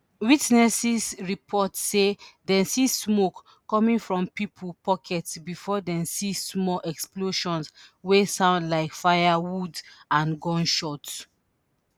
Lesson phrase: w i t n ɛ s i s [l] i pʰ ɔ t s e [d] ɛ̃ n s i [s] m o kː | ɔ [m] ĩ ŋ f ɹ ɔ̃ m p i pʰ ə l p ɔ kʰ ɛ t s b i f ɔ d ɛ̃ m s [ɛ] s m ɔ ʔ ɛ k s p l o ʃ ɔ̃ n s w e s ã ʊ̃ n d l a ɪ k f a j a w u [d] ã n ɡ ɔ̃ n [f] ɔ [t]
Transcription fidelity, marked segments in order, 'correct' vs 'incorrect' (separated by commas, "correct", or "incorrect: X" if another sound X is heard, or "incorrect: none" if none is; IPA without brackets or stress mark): incorrect: ɹ, correct, correct, correct, incorrect: i, correct, incorrect: ʃ, correct